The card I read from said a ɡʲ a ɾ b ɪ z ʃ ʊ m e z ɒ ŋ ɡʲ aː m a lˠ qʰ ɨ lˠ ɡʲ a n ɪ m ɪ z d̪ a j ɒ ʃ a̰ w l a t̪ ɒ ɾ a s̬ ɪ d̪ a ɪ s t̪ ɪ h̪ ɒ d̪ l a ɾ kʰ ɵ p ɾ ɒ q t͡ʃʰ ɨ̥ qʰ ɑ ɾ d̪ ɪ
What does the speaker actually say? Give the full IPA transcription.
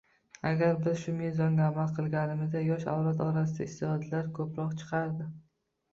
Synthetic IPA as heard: a ɡʲ a ɾ b ɪ z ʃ ʊ m e z ɒ ŋ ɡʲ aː m a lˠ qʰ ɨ lˠ ɡʲ a n ɪ m ɪ z d̪ a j ɒ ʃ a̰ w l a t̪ ɒ ɾ a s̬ ɪ d̪ a ɪ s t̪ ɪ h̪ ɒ d̪ l a ɾ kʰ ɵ p ɾ ɒ q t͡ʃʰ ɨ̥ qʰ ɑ ɾ d̪ ɪ